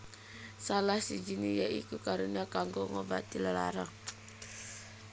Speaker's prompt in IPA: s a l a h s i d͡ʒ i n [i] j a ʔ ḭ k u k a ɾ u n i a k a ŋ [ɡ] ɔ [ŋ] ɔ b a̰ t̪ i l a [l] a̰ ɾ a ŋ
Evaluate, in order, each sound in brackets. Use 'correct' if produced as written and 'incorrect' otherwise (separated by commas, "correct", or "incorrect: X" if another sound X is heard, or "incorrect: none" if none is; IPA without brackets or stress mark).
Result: correct, correct, correct, correct